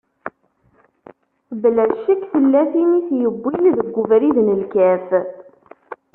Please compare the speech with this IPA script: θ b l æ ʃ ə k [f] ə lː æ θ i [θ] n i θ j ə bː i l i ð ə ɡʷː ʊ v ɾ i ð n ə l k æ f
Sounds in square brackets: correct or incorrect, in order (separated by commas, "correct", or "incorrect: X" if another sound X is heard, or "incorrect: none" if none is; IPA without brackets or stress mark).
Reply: incorrect: θ, incorrect: none